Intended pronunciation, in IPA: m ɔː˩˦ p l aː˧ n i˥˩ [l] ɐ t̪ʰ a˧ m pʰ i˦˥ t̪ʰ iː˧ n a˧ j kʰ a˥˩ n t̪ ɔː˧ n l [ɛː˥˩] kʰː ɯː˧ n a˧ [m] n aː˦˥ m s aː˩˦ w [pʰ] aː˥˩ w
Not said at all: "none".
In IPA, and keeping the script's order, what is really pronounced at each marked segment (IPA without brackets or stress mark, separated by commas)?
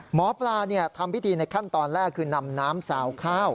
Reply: none, ɛː˥˩, m, kʰ